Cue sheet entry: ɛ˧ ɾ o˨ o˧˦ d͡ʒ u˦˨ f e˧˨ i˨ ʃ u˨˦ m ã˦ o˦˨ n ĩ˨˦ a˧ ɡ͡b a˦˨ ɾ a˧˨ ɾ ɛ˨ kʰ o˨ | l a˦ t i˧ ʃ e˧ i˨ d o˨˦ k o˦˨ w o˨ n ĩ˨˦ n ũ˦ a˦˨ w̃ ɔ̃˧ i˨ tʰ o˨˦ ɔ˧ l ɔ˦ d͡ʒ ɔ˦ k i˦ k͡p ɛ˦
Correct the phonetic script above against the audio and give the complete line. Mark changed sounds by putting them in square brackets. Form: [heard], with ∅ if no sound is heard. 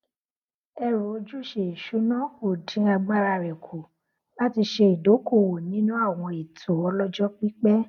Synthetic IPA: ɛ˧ ɾ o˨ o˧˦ d͡ʒ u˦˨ [ʃ] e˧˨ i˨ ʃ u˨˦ [n] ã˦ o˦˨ [d] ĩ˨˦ a˧ ɡ͡b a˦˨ ɾ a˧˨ ɾ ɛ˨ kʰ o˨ | l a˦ t i˧ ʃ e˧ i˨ d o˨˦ k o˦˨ w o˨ n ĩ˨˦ n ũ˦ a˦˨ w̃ ɔ̃˧ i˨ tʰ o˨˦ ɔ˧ l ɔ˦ d͡ʒ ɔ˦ [k͡p] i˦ k͡p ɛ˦